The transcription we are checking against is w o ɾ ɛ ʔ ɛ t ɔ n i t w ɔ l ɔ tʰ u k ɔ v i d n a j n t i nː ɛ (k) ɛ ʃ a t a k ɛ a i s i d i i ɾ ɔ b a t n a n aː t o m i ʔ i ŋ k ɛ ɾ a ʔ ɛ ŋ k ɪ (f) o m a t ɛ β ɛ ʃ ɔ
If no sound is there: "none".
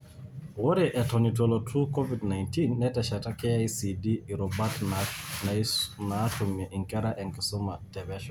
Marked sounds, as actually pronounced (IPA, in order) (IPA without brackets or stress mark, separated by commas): t, s